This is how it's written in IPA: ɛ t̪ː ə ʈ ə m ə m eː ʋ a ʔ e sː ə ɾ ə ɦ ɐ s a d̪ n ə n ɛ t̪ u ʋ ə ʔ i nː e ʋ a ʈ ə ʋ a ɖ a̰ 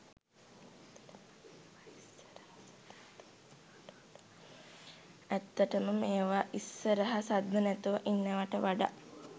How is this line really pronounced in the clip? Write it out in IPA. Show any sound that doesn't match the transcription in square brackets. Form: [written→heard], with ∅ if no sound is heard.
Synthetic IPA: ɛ t̪ː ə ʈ ə m ə m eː ʋ a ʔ [e→i] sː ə ɾ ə ɦ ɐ s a d̪ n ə n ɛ t̪ u ʋ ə ʔ i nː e ʋ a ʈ ə ʋ a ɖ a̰